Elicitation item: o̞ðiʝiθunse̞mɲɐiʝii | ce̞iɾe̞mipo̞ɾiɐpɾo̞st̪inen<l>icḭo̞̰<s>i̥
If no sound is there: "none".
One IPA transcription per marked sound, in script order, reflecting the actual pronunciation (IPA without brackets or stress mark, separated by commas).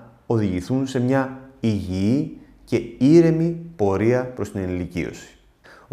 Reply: l, s